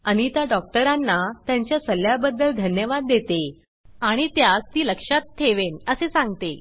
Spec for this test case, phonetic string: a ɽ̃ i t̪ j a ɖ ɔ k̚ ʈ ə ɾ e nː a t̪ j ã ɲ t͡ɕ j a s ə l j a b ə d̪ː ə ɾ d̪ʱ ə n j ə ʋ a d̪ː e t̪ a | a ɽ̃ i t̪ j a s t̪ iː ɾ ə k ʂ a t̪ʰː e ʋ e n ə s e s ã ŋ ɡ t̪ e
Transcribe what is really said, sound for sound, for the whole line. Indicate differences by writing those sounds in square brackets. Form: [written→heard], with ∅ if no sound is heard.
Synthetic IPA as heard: a ɽ̃ i t̪ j a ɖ ɔ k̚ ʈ ə ɾ [e→a] nː a t̪ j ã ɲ t͡ɕ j a s ə l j a b ə d̪ː ə [ɾ→l] d̪ʱ ə n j ə ʋ a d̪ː e t̪ [a→e] | a ɽ̃ i t̪ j a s t̪ iː [ɾ→l] ə k ʂ a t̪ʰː e ʋ e n ə s e s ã ŋ ɡ t̪ e

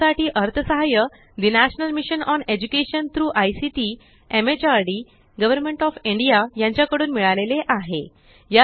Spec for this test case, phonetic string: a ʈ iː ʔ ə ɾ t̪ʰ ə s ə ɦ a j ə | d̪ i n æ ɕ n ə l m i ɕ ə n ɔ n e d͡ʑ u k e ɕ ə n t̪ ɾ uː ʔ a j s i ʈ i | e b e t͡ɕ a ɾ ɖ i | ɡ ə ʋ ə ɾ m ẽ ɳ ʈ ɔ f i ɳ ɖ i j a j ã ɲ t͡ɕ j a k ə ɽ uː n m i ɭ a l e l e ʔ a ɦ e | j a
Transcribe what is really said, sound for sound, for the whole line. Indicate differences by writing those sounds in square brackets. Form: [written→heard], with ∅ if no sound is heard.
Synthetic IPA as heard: a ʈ iː ʔ ə ɾ t̪ʰ ə s ə ɦ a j ə | d̪ i n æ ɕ n ə l m i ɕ ə n ɔ n e d͡ʑ u k e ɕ ə n t̪ ɾ uː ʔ a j s i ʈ i | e [b→m] e t͡ɕ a ɾ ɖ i | ɡ ə ʋ ə ɾ m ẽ ɳ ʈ ɔ f i ɳ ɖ i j a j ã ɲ t͡ɕ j a k ə ɽ uː n m i ɭ a l e l e ʔ a ɦ e | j a

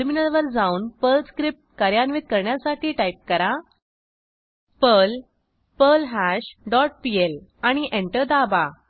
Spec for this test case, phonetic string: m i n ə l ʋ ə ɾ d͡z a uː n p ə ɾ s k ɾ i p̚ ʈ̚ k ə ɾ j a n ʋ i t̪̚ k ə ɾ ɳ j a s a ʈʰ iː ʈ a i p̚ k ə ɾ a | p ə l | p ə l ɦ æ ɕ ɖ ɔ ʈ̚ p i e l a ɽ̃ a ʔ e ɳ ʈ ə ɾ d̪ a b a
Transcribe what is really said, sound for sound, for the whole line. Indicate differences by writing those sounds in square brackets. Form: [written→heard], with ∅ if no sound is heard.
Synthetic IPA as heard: m i n ə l ʋ ə ɾ d͡z a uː n p ə [ɾ→l] s k ɾ i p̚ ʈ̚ k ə ɾ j a n ʋ i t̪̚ k ə ɾ ɳ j a s a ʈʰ iː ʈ a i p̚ k ə ɾ a | p ə l | p ə l ɦ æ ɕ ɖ ɔ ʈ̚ p i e l a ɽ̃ [a→i] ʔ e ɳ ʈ ə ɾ d̪ a b a

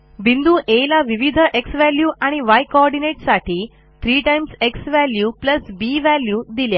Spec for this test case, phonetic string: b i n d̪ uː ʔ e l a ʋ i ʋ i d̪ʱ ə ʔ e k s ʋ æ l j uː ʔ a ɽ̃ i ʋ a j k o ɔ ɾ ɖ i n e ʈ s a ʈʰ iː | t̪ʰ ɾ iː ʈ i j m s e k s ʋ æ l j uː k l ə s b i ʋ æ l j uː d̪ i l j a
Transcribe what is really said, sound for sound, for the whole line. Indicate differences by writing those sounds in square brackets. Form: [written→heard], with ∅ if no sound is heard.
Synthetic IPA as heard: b i n d̪ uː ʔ e l a ʋ i ʋ i d̪ʱ ə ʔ e k s ʋ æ l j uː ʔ a ɽ̃ i ʋ a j k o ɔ ɾ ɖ i n e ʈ s a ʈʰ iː | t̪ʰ ɾ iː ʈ [i→a] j m s e k s ʋ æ l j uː [k→p] l ə s b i ʋ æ l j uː d̪ i l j a

